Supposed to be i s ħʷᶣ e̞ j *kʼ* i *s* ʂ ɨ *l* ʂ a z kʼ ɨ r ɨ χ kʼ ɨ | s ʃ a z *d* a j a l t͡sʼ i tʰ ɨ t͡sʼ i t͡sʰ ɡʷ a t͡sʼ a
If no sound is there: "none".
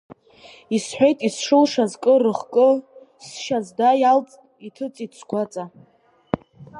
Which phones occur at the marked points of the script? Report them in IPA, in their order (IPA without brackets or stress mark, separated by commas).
tʼ, s, l, d